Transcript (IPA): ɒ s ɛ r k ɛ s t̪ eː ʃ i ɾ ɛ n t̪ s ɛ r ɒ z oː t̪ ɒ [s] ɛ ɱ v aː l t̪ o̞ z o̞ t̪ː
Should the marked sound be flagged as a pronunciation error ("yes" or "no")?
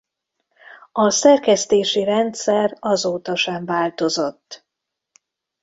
yes